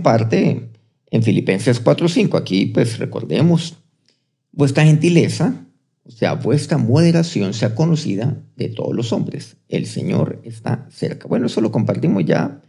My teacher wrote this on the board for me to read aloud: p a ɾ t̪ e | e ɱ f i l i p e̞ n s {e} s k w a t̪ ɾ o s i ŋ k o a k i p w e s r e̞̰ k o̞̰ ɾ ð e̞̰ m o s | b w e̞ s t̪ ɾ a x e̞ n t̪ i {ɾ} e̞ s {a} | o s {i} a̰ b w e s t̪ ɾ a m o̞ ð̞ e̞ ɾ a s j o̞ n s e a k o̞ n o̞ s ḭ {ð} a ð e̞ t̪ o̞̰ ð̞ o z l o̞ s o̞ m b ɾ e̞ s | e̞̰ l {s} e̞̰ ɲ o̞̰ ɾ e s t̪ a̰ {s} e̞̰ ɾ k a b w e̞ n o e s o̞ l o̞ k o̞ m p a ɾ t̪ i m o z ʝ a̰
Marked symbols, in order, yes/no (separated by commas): yes, no, yes, no, yes, yes, yes